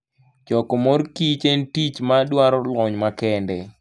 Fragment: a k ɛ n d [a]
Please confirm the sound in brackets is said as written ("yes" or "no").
no